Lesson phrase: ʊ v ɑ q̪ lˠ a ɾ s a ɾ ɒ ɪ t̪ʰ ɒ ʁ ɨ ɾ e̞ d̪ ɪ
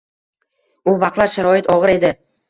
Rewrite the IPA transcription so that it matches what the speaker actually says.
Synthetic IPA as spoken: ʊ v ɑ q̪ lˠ a ɾ ʃ a ɾ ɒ ɪ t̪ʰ ɒ ʁ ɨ ɾ e̞ d̪ ɪ